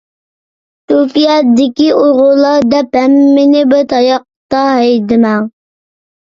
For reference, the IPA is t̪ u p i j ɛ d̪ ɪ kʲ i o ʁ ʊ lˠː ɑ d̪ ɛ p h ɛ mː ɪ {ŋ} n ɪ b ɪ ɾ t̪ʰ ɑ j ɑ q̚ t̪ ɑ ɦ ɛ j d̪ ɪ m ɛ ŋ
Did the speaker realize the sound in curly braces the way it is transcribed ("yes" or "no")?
no